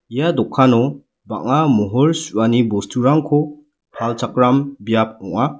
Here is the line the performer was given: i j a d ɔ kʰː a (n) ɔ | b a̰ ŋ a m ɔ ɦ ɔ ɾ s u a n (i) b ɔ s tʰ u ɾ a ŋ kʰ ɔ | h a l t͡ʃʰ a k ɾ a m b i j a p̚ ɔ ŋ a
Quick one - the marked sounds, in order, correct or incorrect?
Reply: correct, correct

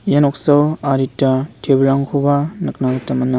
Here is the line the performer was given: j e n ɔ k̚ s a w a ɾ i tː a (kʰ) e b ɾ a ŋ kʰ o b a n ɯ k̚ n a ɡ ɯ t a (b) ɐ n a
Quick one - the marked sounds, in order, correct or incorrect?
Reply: incorrect: tʰ, incorrect: m

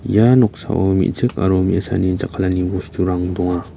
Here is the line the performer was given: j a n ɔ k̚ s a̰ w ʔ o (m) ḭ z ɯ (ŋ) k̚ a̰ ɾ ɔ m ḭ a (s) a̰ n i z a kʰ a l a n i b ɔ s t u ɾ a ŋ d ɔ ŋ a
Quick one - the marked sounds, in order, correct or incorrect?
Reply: correct, incorrect: none, correct

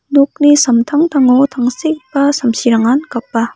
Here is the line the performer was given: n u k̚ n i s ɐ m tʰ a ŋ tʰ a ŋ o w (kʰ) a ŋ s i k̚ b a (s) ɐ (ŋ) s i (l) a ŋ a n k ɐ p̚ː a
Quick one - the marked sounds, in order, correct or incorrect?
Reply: incorrect: tʰ, correct, incorrect: m, incorrect: ɾ

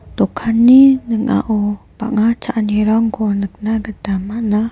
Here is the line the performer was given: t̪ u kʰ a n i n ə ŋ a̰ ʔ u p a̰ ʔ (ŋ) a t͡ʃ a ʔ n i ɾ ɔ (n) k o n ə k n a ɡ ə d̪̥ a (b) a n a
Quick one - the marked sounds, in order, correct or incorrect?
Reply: correct, incorrect: ŋ, incorrect: m

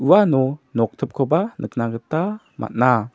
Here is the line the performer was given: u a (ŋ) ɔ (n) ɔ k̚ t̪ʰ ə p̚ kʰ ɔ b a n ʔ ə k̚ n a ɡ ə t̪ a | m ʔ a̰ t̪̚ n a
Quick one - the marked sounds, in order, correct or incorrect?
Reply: incorrect: n, correct

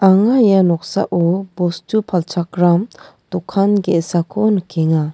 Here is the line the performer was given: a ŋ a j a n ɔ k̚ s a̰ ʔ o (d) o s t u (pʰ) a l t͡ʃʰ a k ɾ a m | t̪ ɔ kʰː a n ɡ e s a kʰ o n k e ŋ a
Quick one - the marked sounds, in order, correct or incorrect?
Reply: incorrect: b, correct

